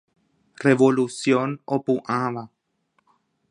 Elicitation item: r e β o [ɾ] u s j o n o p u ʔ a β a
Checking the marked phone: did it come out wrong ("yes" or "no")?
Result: yes